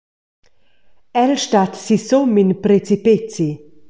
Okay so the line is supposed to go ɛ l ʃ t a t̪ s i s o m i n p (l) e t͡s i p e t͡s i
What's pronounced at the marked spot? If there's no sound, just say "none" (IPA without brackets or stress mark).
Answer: ɾ